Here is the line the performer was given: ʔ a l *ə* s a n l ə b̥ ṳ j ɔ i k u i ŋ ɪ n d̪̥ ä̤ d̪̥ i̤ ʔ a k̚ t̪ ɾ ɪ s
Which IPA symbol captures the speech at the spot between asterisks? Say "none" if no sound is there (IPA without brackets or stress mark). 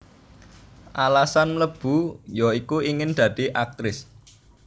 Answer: a